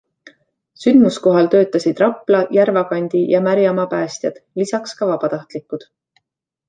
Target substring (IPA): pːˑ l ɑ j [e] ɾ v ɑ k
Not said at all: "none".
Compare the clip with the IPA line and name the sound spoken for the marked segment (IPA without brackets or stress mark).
æ